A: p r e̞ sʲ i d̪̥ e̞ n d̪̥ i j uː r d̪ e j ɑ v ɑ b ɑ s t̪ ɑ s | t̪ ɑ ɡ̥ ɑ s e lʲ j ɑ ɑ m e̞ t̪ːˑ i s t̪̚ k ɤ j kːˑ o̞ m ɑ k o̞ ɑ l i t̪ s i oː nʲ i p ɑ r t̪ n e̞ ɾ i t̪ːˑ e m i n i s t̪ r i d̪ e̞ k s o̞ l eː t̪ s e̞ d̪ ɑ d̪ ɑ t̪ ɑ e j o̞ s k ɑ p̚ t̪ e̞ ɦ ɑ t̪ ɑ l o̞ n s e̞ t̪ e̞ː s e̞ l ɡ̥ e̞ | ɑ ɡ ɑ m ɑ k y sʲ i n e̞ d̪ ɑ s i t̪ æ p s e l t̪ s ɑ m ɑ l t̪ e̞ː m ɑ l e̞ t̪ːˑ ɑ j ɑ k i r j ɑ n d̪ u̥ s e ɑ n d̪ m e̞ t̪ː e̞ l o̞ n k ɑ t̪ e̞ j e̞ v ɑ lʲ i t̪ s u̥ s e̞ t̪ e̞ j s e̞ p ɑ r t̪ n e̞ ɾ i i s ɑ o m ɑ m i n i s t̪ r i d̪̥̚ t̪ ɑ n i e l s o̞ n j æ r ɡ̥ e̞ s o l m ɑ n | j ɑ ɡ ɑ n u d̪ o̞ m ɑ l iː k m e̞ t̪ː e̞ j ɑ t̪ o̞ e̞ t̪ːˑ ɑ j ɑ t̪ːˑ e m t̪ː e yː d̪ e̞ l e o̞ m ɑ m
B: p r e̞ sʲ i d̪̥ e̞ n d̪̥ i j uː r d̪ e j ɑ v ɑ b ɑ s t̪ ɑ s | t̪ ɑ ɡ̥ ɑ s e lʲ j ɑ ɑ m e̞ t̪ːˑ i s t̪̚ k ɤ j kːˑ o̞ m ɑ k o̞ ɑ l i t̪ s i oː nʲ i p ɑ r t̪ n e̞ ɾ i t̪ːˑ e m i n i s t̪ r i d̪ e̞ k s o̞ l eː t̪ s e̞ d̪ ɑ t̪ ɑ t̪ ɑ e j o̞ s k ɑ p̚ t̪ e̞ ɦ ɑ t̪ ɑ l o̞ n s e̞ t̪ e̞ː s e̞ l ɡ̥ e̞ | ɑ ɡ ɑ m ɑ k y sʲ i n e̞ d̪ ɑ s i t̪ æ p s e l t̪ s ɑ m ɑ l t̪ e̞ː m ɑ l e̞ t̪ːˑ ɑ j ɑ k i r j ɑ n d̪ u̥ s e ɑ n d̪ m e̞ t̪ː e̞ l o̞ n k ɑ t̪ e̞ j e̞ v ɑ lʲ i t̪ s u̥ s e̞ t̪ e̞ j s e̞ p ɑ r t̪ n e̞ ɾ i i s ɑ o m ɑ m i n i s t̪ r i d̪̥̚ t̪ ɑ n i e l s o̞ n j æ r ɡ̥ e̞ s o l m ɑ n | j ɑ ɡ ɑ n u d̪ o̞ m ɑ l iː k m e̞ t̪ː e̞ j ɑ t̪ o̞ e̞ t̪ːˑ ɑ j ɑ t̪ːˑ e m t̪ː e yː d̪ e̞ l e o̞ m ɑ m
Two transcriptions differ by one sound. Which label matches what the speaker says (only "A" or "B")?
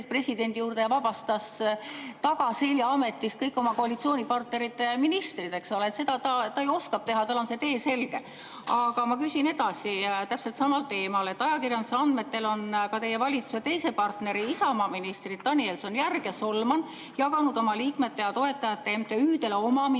B